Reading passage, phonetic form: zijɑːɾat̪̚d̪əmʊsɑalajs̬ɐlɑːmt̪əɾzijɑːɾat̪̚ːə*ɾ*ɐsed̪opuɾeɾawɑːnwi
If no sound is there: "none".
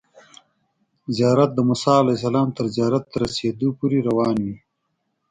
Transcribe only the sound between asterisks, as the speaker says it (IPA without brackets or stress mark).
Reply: ɾ